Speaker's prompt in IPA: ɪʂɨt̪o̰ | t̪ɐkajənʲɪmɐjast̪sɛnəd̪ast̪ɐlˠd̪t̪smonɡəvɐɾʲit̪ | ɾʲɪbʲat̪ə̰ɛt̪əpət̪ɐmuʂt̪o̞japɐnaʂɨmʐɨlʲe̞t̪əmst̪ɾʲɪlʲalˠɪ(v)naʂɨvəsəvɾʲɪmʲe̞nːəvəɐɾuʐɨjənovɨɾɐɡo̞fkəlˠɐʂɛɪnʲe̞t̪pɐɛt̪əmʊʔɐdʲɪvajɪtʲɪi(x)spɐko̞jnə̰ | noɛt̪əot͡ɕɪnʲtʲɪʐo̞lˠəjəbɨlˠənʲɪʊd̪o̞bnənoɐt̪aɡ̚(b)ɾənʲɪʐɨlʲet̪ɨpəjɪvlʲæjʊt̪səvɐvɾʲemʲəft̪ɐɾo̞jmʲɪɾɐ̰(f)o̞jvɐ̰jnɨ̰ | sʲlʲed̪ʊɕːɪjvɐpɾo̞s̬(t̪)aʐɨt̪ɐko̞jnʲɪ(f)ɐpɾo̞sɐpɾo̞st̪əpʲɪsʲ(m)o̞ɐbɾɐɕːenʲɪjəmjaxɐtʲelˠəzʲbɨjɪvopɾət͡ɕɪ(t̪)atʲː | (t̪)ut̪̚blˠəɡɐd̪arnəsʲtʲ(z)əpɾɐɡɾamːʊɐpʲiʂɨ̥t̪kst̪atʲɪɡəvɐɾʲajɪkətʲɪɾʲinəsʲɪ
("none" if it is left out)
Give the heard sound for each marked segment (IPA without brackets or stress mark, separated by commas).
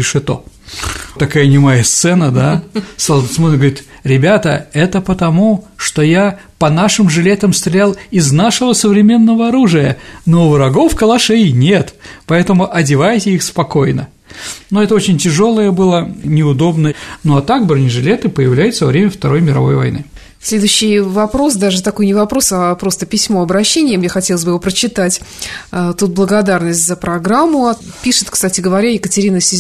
z, x, b, v, d̪, v, m, t̪, t̪, z